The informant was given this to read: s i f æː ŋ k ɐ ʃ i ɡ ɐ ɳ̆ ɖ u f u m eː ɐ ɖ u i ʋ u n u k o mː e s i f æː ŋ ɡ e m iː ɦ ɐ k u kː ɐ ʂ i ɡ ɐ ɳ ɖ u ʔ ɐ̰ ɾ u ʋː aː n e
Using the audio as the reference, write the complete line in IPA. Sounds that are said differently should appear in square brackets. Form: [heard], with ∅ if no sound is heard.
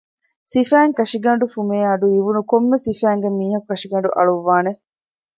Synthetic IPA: s i f æː ŋ k ɐ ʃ i ɡ ɐ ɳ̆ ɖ u f u m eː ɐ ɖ u i ʋ u n u k o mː e s i f æː ŋ ɡ e m iː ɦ ɐ k u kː ɐ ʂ i ɡ ɐ ɳ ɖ u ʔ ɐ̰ [ɭ] u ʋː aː n e